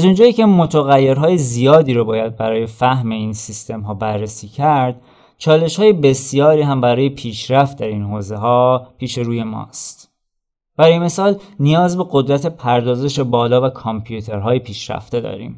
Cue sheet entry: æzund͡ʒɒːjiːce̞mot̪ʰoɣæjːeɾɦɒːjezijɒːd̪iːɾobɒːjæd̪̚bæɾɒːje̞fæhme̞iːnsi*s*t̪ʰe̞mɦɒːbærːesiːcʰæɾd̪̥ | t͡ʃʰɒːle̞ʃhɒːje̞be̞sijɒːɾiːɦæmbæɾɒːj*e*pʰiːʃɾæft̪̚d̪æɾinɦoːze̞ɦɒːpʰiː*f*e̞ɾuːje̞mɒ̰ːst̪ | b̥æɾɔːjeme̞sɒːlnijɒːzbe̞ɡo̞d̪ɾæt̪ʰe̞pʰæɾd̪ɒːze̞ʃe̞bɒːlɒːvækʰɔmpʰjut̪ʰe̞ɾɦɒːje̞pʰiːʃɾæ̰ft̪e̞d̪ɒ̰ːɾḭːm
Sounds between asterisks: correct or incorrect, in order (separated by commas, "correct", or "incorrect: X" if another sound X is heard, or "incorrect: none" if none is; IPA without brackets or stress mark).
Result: correct, correct, incorrect: ʃ